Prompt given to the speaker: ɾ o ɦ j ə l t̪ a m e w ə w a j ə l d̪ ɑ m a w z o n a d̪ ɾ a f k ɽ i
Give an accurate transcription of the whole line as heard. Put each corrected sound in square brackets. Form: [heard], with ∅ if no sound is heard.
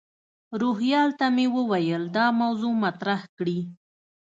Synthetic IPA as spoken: ɾ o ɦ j [ɑ] l t̪ a m e w ə w a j ə l d̪ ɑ m a w z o [m] a [t̪] ɾ a [h] k ɽ i